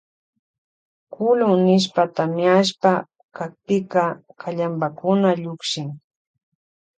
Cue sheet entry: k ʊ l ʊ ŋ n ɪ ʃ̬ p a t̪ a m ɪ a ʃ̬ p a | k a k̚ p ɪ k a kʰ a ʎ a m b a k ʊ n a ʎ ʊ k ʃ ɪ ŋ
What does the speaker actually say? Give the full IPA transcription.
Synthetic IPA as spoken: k ʊ l ʊ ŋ n ɪ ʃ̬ p a t̪ a m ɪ a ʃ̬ p a | k a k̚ p ɪ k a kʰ a ʎ a m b a k ʊ n a ʎ ʊ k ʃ ɪ ŋ